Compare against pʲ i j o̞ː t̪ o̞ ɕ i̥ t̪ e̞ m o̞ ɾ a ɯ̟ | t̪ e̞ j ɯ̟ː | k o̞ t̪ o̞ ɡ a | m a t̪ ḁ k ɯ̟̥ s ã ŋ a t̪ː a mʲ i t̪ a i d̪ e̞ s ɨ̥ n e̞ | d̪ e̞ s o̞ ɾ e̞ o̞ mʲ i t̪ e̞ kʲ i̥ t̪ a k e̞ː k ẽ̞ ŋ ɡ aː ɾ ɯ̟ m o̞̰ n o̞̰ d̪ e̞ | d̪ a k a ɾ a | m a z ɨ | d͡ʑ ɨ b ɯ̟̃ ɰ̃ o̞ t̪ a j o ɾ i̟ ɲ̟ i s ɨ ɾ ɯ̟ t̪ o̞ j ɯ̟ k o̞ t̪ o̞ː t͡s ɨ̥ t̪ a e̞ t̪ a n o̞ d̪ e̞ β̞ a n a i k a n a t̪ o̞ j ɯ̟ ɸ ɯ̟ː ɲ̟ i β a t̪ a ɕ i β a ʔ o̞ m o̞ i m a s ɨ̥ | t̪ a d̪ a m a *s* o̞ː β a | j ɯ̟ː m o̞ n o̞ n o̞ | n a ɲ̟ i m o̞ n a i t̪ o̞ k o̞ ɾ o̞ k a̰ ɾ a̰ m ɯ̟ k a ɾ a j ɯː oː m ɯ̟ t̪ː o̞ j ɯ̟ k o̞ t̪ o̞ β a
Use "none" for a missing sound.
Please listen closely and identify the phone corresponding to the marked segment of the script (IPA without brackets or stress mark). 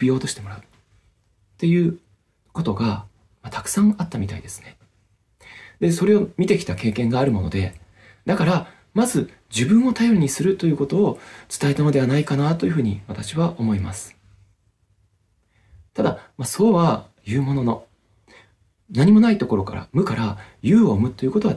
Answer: s